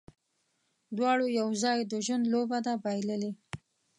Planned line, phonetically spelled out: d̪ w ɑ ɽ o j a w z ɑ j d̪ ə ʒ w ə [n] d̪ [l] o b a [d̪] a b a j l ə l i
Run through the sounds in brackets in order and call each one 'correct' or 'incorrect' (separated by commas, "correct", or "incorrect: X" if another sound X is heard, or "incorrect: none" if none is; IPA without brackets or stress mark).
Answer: correct, correct, correct